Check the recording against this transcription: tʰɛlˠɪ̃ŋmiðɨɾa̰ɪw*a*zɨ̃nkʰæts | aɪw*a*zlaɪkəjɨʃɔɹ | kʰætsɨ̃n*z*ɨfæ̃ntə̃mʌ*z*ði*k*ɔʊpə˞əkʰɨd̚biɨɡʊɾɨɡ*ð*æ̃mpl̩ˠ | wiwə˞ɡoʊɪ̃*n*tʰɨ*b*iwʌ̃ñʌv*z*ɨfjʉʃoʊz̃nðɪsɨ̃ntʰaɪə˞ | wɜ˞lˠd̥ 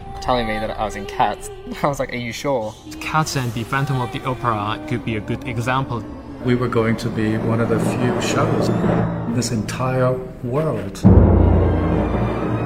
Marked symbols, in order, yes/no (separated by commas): no, no, no, no, no, no, no, yes, no